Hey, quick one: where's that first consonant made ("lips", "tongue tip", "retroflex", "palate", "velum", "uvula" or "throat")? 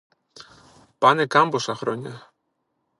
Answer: lips